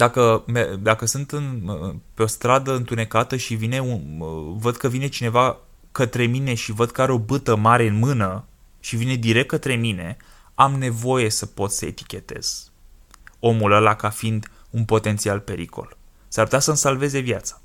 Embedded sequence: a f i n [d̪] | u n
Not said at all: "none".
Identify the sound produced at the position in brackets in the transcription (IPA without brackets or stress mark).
d̪